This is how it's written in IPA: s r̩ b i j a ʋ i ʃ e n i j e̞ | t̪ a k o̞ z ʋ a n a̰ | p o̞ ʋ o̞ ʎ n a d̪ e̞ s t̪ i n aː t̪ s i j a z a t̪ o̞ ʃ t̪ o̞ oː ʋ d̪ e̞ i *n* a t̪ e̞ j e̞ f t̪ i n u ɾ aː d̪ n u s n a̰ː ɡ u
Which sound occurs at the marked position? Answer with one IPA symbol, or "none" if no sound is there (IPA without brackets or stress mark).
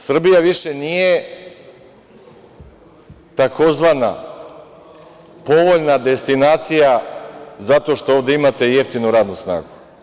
m